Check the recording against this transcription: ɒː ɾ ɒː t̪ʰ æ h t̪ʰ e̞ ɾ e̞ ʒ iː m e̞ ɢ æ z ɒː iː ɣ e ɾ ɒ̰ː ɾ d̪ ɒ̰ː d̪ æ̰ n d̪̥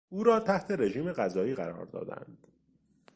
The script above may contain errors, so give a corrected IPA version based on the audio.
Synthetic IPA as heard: uː ɾ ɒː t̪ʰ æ h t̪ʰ e̞ ɾ e̞ ʒ iː m e̞ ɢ æ z ɒː iː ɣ æ ɾ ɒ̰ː ɾ d̪ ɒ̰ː d̪ æ̰ n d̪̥